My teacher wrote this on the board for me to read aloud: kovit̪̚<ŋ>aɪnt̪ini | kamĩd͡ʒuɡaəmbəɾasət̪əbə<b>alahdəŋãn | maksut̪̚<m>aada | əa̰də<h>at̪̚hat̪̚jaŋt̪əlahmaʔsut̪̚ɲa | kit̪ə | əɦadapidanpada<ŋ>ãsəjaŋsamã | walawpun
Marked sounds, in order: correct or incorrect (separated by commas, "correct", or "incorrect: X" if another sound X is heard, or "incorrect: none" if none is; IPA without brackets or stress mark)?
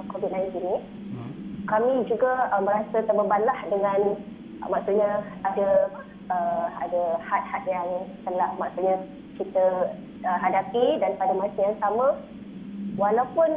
incorrect: n, correct, incorrect: ɲ, correct, incorrect: m